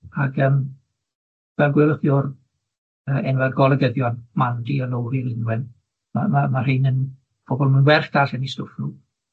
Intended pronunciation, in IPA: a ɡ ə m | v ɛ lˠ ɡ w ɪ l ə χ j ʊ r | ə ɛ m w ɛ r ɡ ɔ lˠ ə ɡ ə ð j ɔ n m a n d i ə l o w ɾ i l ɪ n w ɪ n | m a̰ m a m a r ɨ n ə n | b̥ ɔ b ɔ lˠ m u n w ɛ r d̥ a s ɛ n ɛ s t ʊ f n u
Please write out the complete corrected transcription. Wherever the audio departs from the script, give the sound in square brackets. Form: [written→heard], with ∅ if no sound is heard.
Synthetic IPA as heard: a ɡ ə m | v ɛ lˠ ɡ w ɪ l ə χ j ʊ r | ə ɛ [m→n] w ɛ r ɡ ɔ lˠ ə ɡ ə ð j ɔ n m a n d i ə l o w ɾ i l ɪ n w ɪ n | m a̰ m a m a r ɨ n ə n | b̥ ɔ b ɔ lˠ m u n w ɛ r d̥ a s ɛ n [ɛ→i] s t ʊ f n u